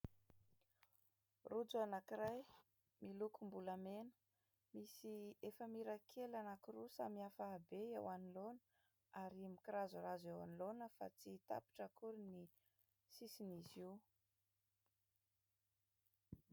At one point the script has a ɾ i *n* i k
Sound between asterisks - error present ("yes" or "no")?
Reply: yes